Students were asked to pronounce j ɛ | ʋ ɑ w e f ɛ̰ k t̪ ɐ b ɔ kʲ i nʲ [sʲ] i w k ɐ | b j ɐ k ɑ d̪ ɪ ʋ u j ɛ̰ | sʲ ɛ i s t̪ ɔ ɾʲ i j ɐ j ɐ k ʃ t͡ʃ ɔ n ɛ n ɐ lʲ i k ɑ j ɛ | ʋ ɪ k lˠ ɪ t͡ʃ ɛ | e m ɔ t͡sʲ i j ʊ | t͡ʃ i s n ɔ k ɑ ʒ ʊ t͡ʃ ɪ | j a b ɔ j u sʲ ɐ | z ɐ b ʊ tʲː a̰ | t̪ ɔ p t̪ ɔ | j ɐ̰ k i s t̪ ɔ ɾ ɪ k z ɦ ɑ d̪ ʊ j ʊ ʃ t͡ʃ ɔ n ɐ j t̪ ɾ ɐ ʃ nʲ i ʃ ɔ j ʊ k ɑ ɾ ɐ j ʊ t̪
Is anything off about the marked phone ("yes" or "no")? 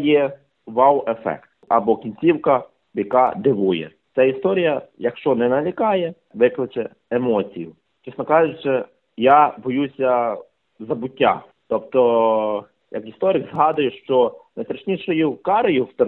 yes